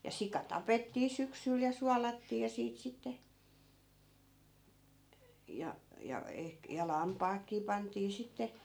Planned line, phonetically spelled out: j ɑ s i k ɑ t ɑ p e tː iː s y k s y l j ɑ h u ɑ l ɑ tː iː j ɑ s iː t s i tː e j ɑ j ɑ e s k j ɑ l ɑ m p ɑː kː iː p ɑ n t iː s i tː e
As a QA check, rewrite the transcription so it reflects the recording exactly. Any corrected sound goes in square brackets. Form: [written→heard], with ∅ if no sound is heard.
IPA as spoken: j ɑ s i k ɑ t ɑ p e tː iː s y k s y l j ɑ [h→s] u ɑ l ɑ tː iː j ɑ s iː t s i tː e j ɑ j ɑ e [s→h] k j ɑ l ɑ m p ɑː kː iː p ɑ n t iː s i tː e